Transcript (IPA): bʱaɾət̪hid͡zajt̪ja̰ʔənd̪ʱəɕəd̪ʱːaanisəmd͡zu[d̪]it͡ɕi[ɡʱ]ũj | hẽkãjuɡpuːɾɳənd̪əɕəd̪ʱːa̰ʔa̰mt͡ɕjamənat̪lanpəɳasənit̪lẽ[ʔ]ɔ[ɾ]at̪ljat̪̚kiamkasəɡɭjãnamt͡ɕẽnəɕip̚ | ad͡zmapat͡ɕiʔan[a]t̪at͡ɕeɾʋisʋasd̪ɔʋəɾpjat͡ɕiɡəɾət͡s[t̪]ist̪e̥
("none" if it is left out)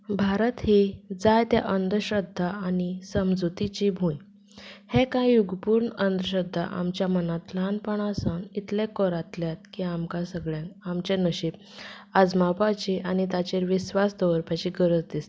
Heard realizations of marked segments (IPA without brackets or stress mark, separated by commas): t̪, bʱ, k, ɾ, i, d̪